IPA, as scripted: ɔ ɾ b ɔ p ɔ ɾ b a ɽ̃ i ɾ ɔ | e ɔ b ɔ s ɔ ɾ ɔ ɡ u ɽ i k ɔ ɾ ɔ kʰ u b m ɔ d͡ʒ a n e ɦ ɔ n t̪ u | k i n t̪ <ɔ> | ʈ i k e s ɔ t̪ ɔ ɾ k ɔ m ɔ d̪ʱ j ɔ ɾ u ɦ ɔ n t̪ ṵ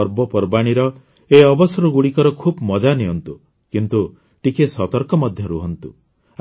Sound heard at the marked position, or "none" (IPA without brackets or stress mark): u